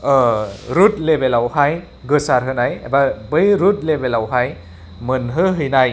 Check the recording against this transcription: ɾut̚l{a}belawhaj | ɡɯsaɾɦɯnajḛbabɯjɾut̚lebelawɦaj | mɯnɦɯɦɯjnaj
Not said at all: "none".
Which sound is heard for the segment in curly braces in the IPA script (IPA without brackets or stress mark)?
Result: e